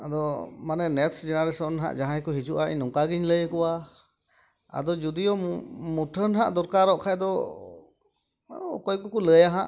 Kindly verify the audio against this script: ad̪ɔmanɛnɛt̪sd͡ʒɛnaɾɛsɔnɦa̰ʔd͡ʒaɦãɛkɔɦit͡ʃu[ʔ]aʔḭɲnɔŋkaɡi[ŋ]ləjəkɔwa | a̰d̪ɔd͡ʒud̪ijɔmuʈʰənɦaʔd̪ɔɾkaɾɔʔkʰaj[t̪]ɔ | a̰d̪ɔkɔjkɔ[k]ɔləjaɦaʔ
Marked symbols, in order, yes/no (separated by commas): yes, no, no, yes